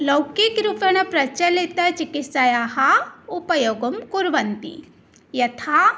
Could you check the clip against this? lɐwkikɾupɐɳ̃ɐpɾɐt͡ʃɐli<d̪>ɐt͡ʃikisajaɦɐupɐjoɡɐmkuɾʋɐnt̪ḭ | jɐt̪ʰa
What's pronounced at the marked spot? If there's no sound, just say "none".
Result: t̪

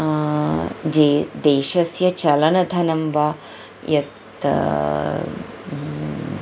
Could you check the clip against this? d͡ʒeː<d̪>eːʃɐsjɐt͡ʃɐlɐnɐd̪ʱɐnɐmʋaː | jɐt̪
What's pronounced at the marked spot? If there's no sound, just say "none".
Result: d̪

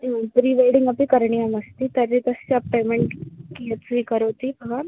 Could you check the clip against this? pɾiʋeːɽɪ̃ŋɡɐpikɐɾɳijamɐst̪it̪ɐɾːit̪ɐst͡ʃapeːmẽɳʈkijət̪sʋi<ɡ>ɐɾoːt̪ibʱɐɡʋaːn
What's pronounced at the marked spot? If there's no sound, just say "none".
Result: k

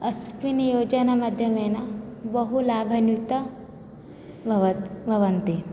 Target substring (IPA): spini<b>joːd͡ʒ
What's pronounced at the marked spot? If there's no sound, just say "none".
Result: none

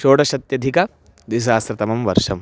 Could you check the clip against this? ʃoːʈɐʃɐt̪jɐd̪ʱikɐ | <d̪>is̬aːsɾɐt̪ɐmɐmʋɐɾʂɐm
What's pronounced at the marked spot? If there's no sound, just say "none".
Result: d̪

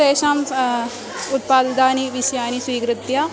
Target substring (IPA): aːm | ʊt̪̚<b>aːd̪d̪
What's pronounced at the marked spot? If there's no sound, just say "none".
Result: p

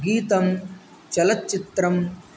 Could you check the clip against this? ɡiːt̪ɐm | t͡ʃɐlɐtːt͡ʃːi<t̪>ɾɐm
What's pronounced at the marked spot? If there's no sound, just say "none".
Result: t̪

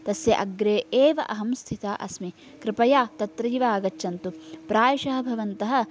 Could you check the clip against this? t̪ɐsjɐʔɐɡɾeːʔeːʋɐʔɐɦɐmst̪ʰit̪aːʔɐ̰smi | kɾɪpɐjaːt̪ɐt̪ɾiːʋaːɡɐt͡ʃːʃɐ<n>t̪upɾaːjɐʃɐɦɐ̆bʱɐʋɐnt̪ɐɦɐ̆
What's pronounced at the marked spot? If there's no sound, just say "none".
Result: n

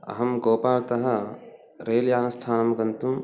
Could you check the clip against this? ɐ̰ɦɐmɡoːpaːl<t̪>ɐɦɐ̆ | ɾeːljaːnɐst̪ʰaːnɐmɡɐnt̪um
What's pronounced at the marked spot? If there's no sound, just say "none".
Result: t̪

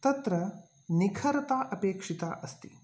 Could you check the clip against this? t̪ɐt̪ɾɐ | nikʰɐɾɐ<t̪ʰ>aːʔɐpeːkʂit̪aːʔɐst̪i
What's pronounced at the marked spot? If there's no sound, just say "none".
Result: t̪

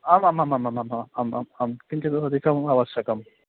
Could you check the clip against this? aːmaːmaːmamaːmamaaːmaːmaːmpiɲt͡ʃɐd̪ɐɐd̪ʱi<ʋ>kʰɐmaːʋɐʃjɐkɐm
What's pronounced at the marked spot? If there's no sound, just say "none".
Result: none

